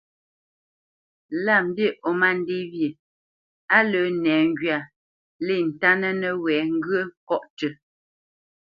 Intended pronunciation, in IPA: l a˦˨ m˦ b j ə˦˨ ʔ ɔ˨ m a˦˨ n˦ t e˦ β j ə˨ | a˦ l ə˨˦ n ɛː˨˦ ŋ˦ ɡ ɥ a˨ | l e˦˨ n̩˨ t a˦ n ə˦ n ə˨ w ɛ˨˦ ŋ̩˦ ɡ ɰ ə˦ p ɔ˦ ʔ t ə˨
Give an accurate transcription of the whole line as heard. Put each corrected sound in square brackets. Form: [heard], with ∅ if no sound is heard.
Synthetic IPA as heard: l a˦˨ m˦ b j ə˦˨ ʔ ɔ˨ m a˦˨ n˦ [d] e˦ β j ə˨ | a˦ l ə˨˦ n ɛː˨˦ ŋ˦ ɡ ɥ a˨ | l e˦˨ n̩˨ t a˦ n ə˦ n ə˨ w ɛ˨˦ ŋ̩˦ ɡ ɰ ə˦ [k] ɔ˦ ʔ t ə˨